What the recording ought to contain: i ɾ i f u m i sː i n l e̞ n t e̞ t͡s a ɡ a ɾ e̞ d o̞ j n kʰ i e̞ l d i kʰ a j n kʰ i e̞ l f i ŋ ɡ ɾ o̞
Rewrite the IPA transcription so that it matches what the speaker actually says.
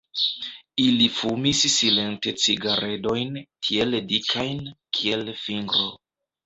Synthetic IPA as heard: i l i f u m i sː i l e̞ n t e̞ t͡s i ɡ a ɾ e̞ d o̞ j n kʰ i e̞ l d i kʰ a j n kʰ i e̞ l f i ŋ ɡ ɾ o̞